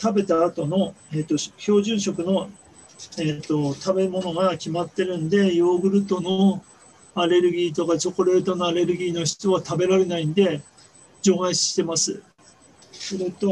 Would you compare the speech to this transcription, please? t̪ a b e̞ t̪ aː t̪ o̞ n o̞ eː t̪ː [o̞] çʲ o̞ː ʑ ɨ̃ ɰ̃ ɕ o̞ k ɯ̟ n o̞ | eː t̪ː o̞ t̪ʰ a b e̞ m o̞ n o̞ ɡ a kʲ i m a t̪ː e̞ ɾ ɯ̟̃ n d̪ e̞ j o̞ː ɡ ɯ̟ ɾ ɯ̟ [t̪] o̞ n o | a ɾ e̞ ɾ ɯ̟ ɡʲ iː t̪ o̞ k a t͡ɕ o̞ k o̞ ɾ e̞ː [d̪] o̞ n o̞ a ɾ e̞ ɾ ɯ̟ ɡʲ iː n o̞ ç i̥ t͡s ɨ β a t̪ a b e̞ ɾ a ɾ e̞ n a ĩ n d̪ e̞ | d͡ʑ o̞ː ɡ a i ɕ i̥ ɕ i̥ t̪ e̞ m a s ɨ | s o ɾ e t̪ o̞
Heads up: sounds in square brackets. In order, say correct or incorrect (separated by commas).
correct, correct, incorrect